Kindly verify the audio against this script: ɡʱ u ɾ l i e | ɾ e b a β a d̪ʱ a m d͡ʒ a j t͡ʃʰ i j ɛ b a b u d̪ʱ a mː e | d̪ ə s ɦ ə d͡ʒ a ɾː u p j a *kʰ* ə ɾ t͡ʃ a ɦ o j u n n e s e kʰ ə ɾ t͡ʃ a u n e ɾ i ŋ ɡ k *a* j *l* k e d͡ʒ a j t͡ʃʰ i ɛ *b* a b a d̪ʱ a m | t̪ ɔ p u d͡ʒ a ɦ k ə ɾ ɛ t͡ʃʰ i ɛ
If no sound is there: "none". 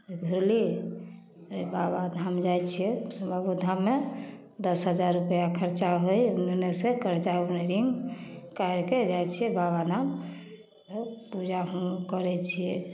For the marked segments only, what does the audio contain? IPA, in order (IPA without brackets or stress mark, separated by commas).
kʰ, a, ɾ, b